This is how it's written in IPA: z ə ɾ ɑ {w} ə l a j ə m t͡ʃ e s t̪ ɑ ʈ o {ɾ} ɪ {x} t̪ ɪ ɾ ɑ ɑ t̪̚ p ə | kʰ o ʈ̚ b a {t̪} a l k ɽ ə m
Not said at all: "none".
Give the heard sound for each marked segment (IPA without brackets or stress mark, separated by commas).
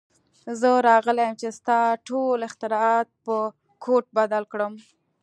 ɣ, l, x, d̪